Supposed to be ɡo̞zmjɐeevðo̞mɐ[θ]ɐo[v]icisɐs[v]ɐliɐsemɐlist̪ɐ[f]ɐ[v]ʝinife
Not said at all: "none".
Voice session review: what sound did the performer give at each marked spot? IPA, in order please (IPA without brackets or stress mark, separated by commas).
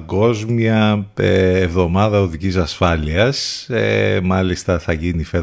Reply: ð, ð, f, θ, none